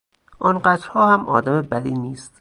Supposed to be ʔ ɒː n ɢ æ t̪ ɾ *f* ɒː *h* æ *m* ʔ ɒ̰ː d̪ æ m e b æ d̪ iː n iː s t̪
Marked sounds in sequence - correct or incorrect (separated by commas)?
incorrect, correct, correct